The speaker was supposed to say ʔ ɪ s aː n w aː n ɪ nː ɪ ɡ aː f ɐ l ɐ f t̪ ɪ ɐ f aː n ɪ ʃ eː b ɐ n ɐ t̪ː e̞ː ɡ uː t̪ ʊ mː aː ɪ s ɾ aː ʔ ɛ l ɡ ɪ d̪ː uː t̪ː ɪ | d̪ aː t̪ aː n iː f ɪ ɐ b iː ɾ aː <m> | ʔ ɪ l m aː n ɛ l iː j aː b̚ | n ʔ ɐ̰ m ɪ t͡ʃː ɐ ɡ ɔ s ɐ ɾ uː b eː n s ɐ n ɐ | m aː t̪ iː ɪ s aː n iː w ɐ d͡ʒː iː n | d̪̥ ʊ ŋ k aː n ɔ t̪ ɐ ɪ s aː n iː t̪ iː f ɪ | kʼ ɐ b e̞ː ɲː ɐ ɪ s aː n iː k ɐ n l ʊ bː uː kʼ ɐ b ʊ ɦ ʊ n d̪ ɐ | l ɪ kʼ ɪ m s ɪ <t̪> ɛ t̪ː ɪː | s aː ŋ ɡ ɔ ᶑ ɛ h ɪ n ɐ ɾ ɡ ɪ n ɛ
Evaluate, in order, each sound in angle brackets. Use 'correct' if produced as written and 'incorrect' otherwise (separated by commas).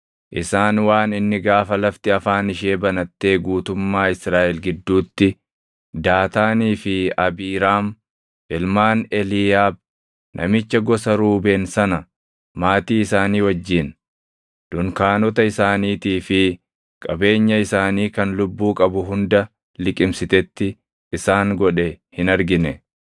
correct, correct